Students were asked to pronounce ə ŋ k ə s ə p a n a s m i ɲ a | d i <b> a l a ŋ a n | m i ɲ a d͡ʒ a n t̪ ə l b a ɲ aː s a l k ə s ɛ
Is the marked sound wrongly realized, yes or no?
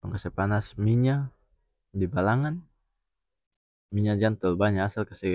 no